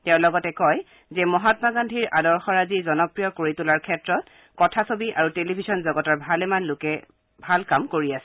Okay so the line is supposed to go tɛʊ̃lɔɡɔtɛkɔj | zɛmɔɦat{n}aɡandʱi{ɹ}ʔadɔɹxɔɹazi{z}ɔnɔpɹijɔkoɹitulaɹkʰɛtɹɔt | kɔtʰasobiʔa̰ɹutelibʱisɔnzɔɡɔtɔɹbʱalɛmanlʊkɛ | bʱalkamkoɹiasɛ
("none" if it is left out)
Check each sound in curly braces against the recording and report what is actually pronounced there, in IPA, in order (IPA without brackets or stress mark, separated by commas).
m, ɹ, z